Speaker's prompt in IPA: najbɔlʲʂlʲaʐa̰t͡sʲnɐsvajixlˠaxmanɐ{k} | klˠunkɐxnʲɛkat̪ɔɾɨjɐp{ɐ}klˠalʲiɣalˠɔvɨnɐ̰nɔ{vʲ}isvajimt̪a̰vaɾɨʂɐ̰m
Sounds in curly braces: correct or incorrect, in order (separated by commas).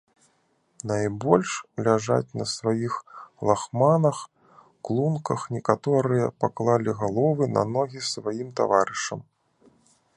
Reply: incorrect, incorrect, incorrect